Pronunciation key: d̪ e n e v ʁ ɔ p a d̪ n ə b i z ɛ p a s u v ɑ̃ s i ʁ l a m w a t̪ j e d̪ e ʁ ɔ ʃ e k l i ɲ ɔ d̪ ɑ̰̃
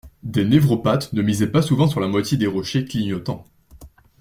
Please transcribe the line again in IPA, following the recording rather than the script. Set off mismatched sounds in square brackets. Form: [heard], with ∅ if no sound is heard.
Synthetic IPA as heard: d̪ e n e v ʁ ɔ p a [t̪] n ə [m] i z ɛ p a s u v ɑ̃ s [y] ʁ l a m w a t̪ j e d̪ e ʁ ɔ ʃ e k l i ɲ ɔ [t̪] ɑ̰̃